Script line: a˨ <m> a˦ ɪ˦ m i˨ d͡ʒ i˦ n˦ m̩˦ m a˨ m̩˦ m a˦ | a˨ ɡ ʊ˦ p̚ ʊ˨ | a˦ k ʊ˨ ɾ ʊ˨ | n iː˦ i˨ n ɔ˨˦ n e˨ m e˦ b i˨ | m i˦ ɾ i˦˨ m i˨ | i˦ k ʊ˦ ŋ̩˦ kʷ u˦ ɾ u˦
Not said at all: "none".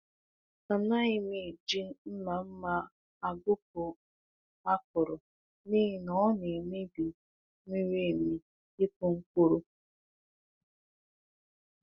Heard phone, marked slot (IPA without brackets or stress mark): n